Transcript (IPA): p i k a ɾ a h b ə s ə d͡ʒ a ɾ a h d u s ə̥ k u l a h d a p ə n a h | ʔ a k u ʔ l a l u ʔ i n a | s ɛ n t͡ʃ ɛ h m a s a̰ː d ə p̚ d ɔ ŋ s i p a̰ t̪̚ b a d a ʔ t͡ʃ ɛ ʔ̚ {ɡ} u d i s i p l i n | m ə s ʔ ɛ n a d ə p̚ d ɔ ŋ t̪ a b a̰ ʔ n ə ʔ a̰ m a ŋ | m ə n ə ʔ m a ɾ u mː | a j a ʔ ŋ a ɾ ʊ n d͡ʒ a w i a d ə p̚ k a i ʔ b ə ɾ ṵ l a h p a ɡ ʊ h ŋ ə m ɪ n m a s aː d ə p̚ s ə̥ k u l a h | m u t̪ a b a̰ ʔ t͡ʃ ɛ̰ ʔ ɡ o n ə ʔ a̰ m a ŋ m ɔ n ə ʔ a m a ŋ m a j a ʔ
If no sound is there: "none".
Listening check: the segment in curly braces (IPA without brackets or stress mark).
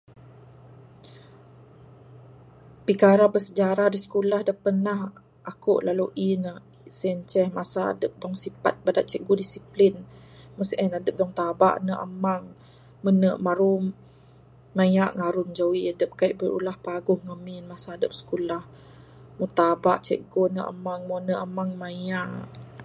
ɡ